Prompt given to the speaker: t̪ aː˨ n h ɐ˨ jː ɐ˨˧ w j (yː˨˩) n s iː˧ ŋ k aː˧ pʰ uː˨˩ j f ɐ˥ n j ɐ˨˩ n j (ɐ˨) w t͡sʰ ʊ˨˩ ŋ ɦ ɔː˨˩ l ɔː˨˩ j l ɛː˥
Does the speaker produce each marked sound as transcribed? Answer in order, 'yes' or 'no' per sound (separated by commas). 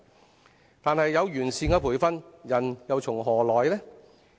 yes, yes